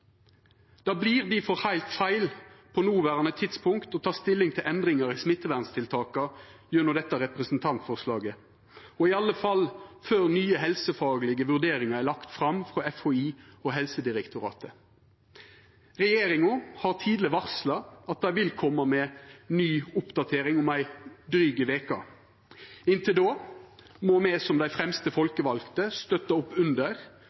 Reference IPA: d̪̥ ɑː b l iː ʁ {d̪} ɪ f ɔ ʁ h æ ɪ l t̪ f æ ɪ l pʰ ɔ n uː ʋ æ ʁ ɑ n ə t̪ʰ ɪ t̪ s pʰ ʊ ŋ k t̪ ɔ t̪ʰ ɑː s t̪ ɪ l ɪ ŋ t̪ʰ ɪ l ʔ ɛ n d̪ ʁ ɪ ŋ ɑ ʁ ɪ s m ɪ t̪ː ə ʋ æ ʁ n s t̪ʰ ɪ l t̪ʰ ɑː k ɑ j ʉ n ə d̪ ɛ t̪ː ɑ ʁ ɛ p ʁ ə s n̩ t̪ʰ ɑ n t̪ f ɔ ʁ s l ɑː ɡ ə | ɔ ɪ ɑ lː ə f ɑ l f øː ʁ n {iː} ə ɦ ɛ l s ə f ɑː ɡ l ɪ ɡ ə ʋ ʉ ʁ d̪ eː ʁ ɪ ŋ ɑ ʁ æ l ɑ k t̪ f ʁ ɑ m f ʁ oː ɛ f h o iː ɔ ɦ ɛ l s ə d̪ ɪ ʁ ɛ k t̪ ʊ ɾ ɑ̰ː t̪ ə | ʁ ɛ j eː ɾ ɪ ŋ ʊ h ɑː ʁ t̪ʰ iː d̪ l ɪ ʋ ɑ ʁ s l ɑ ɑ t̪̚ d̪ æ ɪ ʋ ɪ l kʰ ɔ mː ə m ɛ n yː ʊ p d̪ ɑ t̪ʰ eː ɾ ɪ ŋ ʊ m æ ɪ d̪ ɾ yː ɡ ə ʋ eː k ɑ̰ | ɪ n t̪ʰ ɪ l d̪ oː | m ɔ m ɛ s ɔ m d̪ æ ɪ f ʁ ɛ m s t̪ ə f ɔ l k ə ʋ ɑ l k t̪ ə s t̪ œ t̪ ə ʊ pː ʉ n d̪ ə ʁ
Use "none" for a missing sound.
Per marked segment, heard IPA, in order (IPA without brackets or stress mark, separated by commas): d̪, yː